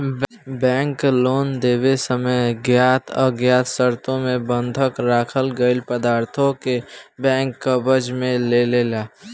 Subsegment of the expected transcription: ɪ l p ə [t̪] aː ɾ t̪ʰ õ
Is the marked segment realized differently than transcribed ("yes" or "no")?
yes